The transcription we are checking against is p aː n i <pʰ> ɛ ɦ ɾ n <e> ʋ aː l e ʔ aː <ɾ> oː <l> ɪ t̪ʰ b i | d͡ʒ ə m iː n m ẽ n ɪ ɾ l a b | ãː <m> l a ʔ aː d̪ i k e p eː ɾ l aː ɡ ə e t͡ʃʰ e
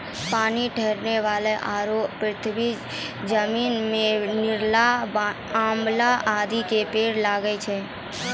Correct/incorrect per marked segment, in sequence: incorrect: ʈʰ, correct, correct, incorrect: ɾ, correct

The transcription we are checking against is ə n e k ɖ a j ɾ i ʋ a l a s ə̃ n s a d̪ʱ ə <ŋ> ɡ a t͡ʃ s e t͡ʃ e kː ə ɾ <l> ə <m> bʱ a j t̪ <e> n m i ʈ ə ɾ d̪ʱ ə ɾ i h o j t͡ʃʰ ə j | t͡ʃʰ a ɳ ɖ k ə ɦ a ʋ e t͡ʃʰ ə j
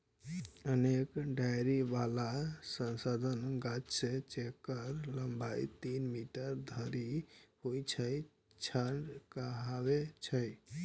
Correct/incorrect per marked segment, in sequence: incorrect: n, correct, correct, incorrect: i

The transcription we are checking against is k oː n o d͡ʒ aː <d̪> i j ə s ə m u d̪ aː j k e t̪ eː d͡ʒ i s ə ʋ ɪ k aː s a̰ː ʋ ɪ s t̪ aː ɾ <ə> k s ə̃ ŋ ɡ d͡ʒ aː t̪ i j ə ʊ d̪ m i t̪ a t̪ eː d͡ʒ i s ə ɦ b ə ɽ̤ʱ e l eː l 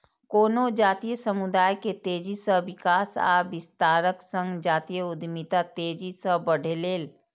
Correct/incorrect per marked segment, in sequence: incorrect: t̪, correct

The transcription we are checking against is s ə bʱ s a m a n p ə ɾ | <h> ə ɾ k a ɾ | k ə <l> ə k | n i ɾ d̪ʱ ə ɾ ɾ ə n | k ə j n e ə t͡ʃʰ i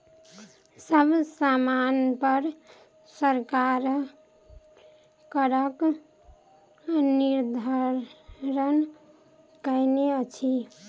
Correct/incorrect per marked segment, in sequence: incorrect: s, incorrect: ɾ

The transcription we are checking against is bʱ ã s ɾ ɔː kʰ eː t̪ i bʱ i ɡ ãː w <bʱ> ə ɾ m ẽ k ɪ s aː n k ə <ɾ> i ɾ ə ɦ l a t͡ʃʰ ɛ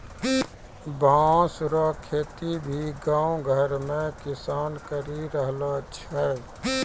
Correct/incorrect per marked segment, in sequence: incorrect: ɡʱ, correct

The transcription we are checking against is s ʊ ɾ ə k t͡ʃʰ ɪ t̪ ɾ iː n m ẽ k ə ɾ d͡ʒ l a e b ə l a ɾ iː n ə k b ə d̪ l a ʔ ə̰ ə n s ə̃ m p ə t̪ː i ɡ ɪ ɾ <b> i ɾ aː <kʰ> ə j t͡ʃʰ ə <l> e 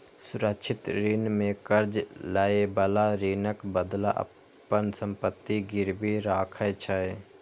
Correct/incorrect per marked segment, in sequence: correct, correct, incorrect: none

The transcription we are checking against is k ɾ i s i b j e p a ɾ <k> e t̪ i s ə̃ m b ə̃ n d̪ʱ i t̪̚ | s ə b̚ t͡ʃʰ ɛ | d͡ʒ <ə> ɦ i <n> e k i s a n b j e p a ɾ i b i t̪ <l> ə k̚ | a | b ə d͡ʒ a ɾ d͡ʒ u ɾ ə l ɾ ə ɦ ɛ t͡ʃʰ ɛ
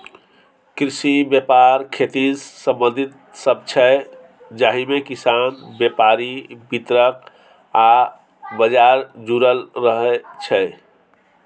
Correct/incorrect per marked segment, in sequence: incorrect: kʰ, incorrect: a, incorrect: m, incorrect: ɾ

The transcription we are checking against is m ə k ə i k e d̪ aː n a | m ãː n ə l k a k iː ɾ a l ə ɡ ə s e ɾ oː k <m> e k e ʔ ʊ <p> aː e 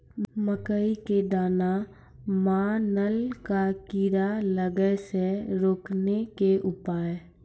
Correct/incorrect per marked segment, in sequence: incorrect: n, correct

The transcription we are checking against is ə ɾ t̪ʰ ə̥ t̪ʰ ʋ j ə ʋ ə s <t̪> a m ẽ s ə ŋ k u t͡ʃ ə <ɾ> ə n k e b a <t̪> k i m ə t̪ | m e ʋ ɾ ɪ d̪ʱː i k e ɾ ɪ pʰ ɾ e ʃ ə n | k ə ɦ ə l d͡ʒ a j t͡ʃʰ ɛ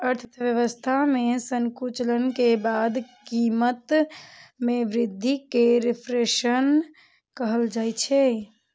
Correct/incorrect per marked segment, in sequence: incorrect: t̪ʰ, incorrect: l, incorrect: d̪

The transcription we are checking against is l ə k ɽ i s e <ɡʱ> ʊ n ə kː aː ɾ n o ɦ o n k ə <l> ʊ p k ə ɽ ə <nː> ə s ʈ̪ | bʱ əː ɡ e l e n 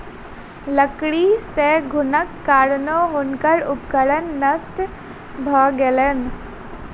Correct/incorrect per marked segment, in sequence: correct, incorrect: ɾ, correct

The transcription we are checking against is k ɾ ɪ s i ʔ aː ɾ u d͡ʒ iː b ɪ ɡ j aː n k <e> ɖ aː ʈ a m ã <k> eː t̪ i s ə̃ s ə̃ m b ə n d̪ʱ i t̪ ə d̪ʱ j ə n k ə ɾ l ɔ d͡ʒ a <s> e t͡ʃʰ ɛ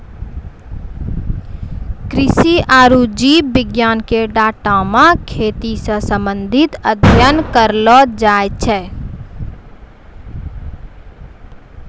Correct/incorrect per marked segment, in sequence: correct, incorrect: kʰ, incorrect: none

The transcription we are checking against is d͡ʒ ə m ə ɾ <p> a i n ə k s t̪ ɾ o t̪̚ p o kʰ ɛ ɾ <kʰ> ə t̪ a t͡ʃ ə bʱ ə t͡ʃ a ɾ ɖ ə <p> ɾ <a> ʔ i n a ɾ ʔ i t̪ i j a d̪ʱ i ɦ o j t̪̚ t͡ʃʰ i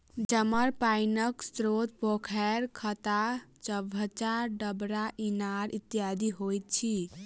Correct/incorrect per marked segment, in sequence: correct, correct, incorrect: b, correct

